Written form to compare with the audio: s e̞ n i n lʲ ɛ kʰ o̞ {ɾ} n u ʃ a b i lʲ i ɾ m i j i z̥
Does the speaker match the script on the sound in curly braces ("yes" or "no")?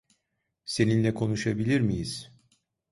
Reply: no